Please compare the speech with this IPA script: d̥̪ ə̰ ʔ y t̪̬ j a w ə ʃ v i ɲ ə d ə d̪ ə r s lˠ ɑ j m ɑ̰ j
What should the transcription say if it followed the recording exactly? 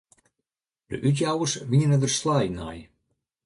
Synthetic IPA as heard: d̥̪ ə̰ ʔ y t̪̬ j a w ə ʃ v i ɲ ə n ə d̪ ə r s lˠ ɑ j n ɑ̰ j